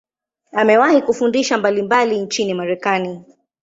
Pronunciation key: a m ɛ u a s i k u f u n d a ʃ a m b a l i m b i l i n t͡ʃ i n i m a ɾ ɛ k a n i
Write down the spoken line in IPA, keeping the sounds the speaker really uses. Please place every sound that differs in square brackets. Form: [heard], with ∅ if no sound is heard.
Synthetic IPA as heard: a m ɛ [w] a [h] i k u f u n d [i] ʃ a m b a l i m b [a] l i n t͡ʃ i n i m a ɾ ɛ k a n i